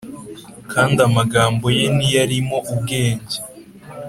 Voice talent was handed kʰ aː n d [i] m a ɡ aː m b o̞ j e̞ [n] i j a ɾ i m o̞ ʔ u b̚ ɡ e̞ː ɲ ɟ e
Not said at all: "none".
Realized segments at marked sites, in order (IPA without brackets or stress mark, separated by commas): a, n